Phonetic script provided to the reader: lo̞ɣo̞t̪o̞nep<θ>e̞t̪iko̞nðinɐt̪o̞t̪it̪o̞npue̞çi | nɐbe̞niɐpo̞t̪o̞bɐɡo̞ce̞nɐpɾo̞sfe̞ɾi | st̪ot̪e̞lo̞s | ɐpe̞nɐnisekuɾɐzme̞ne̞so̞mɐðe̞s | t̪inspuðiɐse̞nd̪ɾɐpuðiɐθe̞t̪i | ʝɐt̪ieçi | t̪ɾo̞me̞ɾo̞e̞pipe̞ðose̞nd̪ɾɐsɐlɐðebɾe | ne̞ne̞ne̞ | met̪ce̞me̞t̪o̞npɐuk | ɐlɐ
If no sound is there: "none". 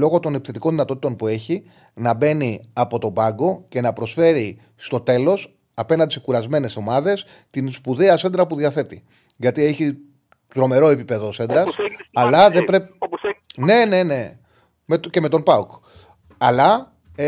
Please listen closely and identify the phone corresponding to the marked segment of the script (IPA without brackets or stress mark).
θ